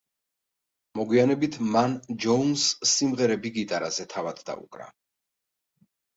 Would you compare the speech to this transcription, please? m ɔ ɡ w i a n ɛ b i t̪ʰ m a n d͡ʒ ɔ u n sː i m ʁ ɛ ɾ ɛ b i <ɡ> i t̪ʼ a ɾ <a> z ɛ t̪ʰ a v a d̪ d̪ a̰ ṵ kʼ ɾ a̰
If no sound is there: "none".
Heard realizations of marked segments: ɡ, a

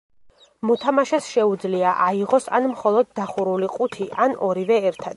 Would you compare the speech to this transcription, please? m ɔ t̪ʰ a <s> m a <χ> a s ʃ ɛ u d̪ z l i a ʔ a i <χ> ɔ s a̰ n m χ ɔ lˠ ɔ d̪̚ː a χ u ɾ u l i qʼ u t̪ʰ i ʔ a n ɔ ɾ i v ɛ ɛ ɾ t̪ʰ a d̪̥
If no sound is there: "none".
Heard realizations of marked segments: none, ʃ, ʁ

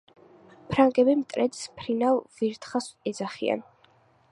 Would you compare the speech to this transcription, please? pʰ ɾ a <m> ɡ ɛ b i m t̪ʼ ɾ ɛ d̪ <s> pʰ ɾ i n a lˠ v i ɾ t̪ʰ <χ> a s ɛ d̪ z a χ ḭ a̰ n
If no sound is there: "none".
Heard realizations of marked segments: ŋ, s, χ

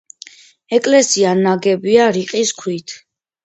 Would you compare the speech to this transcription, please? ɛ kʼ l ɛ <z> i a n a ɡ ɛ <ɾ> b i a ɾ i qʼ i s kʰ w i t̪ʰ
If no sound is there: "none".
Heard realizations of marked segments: s, none

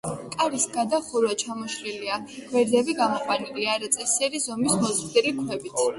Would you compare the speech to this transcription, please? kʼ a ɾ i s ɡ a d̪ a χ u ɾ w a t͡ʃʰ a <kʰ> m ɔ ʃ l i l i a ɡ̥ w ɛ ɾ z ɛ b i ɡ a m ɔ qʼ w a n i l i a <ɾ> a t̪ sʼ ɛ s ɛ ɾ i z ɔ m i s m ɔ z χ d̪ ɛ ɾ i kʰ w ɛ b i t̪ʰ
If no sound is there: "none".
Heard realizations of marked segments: none, ɾ

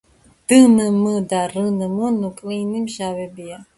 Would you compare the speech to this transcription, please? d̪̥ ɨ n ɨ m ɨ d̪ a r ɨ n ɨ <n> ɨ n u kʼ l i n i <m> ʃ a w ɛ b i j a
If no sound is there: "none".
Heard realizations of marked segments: m, m

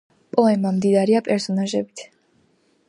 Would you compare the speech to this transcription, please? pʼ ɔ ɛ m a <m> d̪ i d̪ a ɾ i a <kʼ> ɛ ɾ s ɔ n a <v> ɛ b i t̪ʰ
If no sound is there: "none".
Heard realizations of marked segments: m, pʼ, ʒ

